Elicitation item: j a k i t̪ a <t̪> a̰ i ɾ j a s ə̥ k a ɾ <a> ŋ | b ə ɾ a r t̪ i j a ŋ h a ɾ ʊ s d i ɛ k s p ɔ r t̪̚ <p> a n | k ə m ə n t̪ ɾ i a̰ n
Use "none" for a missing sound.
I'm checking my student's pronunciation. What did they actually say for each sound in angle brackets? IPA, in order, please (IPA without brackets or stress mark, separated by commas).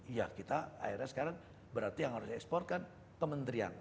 none, a, k